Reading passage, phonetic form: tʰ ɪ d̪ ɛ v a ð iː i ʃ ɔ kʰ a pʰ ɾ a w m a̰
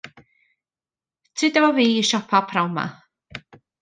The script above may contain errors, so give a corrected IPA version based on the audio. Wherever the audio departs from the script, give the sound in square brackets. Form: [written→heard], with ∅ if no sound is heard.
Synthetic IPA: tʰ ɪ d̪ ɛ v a [ð→v] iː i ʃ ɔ [kʰ→pʰ] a pʰ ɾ a w m a̰

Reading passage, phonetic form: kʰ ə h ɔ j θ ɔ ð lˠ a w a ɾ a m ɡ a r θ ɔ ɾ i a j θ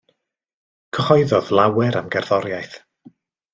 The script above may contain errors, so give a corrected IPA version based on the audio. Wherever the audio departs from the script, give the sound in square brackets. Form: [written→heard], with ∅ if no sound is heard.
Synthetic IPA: kʰ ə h ɔ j [θ→ð] ɔ ð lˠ a w [a→ɛ] ɾ a m ɡ [a→ɛ] r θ ɔ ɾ [i→j] a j θ

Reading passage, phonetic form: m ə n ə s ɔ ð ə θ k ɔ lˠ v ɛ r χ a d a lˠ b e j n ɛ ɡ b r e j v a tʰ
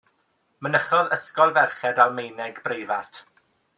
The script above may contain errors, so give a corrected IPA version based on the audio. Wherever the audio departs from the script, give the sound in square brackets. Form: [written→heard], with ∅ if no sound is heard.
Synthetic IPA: m ə n ə [s→χ] ɔ ð ə [θ→s] k ɔ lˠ v ɛ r χ [a→ɛ] d a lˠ [b→m] e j n ɛ ɡ b r e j v a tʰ

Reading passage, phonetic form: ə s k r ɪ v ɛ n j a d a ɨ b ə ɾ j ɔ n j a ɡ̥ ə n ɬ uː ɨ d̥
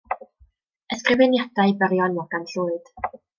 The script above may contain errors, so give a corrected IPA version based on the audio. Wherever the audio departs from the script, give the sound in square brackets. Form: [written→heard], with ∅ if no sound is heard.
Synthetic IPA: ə s k r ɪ v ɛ n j a d a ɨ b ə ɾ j ɔ n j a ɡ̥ [ə→a] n ɬ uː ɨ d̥

